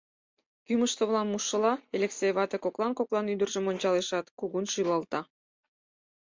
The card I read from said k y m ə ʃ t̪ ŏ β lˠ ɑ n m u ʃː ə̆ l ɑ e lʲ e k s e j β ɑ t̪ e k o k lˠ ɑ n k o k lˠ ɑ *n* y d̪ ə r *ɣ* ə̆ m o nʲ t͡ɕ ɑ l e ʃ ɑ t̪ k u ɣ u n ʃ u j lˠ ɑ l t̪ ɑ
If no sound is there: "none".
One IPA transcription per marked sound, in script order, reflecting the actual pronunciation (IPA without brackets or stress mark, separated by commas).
n, ʒ